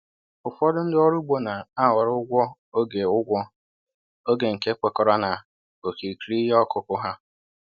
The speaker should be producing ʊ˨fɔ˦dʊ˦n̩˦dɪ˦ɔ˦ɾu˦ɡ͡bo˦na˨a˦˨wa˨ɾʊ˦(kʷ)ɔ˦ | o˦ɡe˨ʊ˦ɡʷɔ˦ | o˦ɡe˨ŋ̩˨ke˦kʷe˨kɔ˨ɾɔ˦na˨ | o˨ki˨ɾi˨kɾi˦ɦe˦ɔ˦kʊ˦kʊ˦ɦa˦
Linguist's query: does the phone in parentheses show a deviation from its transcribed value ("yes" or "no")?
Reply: yes